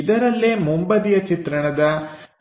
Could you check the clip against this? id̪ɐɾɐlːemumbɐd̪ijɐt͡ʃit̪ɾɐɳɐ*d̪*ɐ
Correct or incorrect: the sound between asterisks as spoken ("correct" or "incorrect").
correct